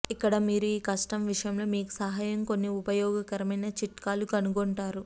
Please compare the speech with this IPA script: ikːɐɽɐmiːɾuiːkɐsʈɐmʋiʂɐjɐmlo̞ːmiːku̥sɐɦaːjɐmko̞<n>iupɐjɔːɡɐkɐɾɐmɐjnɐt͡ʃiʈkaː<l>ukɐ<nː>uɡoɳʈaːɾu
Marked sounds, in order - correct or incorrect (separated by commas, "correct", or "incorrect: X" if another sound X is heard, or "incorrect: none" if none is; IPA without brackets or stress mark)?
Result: incorrect: nː, correct, incorrect: n